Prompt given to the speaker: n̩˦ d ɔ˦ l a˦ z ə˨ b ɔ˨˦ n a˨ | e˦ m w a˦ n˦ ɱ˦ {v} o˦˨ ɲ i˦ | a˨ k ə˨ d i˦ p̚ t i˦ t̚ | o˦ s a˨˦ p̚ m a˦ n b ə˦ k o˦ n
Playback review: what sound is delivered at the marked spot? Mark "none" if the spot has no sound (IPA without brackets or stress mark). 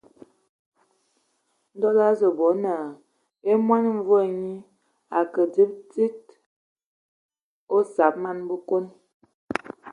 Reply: v